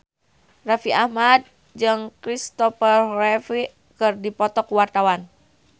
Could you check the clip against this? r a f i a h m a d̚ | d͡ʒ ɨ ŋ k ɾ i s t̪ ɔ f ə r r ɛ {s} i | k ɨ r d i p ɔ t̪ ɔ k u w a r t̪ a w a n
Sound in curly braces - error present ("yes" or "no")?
yes